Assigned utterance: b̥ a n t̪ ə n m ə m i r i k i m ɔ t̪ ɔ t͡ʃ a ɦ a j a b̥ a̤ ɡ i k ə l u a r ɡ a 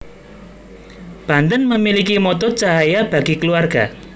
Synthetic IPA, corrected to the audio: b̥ a n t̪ ə n m ə m i l i k i m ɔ t̪ ɔ t͡ʃ a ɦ a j a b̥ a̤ ɡ i k ə l u a r ɡ a